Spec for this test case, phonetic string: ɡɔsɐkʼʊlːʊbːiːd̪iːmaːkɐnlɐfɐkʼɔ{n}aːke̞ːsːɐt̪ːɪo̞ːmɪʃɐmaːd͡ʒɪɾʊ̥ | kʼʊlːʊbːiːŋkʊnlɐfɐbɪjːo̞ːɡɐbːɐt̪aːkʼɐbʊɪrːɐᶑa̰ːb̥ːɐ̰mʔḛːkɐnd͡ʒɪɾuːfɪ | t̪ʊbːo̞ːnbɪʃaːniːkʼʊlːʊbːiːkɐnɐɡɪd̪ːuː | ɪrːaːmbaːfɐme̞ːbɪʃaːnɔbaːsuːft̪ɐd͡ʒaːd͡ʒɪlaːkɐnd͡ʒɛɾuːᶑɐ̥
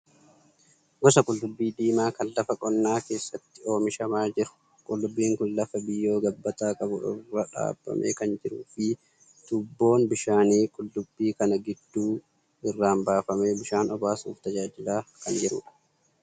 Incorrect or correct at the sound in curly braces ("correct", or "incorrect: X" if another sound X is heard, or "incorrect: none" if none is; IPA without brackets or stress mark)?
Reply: incorrect: nː